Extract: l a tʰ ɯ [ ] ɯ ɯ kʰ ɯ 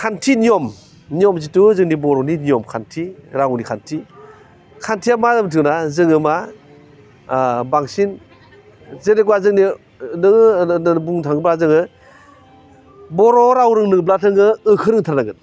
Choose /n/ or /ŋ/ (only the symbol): ŋ